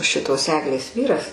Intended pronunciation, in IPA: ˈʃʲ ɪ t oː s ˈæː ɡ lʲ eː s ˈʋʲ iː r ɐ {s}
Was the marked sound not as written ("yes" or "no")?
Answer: no